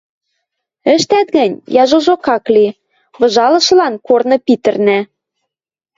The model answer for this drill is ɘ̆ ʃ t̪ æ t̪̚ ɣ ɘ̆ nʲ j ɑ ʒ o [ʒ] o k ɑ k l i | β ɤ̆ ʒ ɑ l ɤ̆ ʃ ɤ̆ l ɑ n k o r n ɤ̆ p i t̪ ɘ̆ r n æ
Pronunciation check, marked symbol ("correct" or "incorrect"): correct